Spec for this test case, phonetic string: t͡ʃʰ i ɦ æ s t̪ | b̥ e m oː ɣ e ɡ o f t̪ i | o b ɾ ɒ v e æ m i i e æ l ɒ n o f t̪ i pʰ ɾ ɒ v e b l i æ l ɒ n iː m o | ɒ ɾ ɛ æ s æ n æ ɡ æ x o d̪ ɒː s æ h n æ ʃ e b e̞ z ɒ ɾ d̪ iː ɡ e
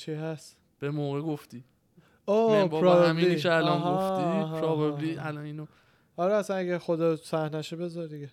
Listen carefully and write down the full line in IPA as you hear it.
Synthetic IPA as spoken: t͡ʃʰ i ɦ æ s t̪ | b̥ e m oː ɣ e ɡ o f t̪ i | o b ɾ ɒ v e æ m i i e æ l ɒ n o f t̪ i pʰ ɾ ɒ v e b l i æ l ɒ n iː n o | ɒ ɾ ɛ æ s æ n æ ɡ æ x o d̪ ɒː s æ h n æ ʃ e b e̞ z ɒ ɾ d̪ i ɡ e